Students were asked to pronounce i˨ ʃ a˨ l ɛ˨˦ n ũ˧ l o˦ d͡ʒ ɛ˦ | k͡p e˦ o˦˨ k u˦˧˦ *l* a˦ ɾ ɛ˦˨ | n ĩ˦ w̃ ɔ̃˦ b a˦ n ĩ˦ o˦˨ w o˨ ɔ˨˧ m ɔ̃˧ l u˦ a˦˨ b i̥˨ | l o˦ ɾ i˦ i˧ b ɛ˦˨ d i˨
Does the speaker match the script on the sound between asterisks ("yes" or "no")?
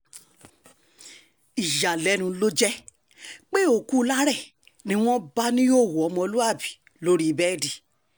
yes